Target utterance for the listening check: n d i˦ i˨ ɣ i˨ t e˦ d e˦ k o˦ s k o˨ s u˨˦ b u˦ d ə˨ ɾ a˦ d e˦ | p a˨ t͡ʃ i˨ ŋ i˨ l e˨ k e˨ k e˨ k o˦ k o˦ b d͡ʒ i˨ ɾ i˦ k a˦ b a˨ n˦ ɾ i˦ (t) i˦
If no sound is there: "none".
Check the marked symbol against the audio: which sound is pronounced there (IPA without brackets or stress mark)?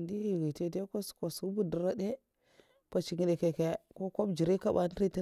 t